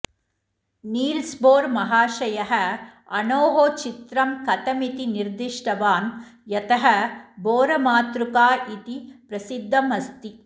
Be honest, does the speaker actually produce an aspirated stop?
no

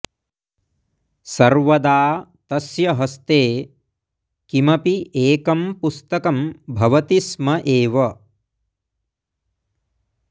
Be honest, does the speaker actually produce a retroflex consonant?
no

